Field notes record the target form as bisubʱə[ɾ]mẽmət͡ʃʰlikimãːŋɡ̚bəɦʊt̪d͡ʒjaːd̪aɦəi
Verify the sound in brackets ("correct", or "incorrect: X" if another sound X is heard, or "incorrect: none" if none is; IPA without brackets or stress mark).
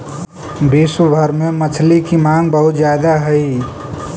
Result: correct